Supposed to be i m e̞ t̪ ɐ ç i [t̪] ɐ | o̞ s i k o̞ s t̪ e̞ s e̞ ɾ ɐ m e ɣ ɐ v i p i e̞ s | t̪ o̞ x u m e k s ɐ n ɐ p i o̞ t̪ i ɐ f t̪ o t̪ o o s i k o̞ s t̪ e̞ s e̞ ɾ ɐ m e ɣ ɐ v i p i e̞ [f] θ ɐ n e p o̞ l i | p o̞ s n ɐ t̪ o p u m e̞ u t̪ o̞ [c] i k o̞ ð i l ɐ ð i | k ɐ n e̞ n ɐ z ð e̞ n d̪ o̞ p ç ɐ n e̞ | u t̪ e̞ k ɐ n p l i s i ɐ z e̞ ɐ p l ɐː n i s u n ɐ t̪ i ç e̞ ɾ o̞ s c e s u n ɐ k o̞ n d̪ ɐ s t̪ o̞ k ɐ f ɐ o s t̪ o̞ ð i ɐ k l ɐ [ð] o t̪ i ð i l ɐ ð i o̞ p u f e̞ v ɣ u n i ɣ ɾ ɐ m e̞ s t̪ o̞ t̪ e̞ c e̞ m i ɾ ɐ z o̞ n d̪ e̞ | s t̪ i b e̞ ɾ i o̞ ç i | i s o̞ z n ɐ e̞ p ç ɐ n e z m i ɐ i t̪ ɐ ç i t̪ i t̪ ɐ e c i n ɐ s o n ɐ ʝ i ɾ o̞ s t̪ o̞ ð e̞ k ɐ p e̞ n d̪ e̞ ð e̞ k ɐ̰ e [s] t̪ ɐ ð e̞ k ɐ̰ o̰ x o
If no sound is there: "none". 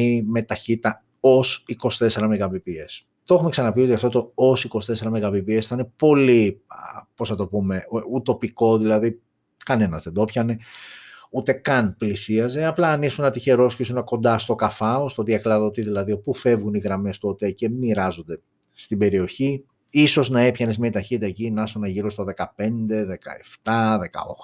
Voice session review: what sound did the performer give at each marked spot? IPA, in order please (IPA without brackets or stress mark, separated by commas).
t̪, s, p, ð, f